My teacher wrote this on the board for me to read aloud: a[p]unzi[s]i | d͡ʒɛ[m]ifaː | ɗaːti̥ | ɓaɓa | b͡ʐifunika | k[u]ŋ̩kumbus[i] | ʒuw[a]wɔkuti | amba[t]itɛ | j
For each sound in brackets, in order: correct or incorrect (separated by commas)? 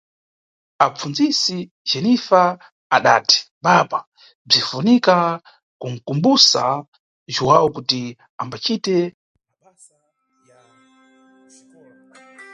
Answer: incorrect, correct, incorrect, correct, incorrect, correct, incorrect